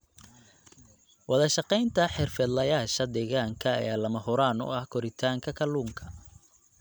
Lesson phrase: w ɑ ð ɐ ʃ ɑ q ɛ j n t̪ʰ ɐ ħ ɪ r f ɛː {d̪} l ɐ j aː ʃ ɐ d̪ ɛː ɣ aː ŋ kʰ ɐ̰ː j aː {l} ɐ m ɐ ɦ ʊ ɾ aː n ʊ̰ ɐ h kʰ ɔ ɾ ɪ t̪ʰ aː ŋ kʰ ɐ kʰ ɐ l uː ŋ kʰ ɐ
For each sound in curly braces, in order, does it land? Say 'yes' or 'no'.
yes, yes

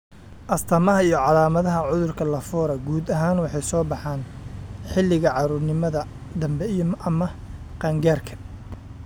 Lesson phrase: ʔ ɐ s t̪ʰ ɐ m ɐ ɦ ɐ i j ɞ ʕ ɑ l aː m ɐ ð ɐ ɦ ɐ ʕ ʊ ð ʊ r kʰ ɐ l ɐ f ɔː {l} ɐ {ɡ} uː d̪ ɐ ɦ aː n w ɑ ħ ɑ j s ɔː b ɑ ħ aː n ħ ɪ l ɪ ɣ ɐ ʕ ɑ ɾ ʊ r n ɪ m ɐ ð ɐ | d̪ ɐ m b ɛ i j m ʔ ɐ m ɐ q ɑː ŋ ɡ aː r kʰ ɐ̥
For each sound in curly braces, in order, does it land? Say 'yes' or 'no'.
no, yes

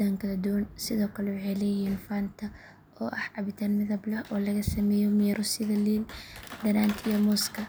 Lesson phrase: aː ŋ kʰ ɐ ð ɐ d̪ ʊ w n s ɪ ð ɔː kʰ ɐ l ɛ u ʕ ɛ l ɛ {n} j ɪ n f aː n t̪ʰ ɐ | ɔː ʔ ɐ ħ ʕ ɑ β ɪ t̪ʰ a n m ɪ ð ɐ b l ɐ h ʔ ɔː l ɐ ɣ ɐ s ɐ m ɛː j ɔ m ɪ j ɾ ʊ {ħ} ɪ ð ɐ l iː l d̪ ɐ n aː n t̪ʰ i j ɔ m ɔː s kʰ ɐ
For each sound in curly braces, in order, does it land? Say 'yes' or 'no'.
no, no

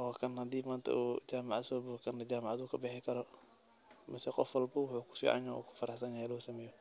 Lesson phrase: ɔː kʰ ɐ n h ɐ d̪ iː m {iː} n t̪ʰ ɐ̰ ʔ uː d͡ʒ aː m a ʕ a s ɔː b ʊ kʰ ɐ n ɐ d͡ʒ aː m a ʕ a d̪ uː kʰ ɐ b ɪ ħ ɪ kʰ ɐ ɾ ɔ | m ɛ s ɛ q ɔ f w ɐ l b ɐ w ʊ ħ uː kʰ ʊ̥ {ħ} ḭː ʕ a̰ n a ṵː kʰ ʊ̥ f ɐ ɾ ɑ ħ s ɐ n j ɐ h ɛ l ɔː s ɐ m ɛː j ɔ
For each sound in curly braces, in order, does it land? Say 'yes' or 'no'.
no, no

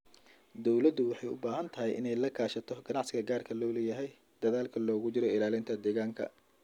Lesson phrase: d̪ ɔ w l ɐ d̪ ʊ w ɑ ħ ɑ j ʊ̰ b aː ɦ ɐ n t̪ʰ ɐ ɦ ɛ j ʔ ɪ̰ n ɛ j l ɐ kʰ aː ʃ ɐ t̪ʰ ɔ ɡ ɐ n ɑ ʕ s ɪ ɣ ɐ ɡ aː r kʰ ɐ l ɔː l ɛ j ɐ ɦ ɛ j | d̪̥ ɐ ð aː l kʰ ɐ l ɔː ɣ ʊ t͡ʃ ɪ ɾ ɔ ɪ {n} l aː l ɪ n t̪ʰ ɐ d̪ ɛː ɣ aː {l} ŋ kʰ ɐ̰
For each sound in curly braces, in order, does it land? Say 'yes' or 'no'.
no, no

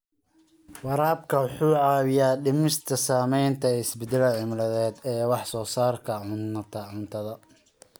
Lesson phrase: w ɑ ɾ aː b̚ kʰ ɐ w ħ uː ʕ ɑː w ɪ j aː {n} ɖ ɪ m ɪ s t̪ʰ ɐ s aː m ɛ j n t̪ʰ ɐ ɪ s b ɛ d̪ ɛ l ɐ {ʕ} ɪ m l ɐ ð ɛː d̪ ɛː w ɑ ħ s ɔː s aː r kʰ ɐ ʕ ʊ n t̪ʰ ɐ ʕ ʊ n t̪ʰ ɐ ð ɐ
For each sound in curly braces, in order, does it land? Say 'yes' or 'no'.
no, yes

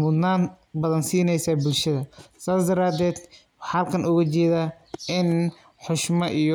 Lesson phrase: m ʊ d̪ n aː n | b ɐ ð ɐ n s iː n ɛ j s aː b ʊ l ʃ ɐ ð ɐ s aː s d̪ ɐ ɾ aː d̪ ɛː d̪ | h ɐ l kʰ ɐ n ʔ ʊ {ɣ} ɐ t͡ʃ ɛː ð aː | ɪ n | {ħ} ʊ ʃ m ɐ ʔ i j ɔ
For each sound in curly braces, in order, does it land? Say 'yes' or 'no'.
yes, yes

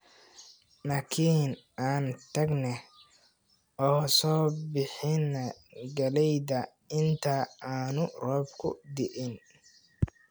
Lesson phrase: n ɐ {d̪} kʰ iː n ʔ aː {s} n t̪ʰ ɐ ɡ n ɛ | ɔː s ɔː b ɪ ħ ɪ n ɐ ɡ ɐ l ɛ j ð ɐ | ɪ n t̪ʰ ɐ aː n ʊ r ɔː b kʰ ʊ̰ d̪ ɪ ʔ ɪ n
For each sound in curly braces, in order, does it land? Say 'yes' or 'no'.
no, no

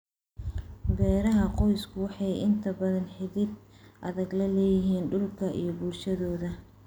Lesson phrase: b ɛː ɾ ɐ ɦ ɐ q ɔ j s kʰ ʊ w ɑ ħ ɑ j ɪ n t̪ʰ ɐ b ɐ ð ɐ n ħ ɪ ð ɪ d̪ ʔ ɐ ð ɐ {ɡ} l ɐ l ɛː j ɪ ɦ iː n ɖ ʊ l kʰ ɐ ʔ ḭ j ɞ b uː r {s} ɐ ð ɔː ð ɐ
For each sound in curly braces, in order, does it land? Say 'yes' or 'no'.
yes, no

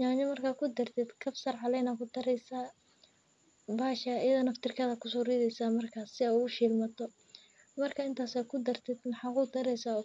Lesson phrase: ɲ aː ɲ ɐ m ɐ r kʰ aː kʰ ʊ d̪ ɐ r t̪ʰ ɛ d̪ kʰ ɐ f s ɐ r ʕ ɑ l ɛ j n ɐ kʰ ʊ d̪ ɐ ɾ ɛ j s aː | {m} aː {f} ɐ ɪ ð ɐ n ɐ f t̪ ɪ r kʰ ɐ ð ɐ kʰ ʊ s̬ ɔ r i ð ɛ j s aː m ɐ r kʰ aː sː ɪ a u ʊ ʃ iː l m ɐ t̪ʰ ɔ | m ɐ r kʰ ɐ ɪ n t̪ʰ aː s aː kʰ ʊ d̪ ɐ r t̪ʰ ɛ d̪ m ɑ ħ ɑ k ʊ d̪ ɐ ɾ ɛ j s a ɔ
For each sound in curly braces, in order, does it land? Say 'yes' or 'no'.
no, no

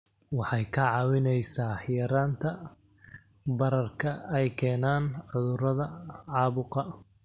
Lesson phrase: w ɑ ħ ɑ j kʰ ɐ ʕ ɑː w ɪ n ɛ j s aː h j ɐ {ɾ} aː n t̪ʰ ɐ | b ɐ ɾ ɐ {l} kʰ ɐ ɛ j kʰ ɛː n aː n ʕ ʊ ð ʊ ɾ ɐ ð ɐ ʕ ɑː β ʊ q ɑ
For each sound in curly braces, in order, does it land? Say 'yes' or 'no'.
yes, no

